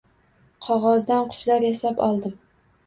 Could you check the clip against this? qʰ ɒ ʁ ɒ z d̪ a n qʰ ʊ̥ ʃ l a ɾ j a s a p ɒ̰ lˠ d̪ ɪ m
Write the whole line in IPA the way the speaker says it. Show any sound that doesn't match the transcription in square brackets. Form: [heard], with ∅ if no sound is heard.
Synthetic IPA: qʰ ɒ ʁ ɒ z d̪ a n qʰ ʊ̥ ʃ l a ɾ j a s a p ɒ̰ lˠ d̪ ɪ m